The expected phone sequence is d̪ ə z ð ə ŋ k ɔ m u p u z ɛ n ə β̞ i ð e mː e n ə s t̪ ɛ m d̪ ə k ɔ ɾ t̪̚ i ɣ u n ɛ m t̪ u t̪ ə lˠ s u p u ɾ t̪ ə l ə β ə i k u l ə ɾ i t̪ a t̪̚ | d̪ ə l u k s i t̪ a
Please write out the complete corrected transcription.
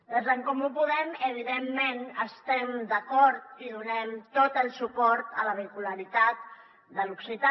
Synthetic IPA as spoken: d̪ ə z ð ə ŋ k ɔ m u p u ð ɛ m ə β̞ i ð e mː e n ə s t̪ ɛ m d̪ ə k ɔ ɾ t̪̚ i ð u n ɛ m t̪ o t̪ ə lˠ s u p ɔ ɾ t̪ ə l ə β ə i k u l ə ɾ i t̪ a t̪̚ | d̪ ə l u k s i t̪ a